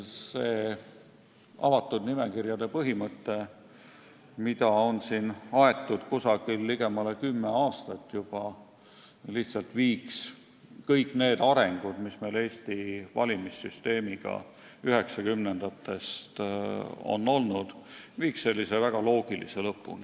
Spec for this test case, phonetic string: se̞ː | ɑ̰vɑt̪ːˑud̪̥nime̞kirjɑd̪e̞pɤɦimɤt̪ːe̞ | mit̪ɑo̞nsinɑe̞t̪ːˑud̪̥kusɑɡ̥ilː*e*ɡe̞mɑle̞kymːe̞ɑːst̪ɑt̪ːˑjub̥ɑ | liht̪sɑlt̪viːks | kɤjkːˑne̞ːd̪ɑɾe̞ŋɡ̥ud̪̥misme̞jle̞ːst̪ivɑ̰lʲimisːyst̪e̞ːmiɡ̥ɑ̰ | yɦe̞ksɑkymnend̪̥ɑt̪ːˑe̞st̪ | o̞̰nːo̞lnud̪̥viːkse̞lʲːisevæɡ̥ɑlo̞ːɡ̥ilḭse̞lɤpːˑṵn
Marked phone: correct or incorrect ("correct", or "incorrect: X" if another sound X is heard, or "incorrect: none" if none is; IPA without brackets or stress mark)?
incorrect: i